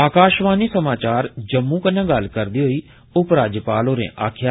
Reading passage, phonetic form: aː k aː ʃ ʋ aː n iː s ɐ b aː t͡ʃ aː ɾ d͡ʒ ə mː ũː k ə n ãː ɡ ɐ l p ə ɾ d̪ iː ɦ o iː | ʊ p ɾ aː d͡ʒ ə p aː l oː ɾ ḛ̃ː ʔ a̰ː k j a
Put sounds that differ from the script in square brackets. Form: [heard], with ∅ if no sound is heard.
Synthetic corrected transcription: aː k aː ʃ ʋ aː n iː s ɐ [m] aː t͡ʃ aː ɾ d͡ʒ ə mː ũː k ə n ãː ɡ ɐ l [k] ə ɾ d̪ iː ɦ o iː | ʊ p ɾ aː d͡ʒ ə p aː l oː ɾ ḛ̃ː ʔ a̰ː [kʰ] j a